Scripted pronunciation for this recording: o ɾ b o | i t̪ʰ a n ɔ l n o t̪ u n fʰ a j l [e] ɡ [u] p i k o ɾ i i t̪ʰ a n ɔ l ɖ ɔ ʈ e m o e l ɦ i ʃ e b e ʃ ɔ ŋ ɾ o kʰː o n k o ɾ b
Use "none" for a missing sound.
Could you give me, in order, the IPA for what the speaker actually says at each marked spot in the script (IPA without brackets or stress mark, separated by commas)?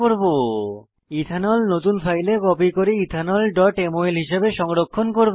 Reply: e, ɔ